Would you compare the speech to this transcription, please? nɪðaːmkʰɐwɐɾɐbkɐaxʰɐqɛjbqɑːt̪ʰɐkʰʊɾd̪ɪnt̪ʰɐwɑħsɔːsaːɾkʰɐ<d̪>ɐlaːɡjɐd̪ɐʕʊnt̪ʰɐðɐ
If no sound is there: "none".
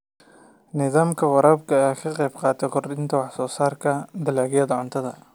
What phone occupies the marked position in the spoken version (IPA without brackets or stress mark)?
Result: d̪